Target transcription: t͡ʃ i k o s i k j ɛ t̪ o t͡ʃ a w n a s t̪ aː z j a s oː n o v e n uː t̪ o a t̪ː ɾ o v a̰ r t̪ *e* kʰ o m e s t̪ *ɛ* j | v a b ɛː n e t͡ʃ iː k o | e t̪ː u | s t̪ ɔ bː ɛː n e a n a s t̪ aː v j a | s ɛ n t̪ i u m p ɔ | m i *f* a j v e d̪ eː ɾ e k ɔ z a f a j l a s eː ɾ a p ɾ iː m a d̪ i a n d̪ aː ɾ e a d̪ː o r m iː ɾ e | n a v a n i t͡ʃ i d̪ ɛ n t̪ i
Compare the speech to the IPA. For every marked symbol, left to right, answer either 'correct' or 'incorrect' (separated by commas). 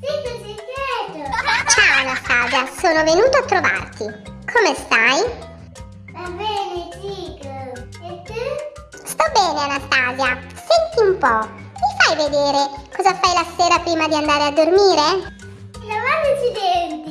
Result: incorrect, incorrect, correct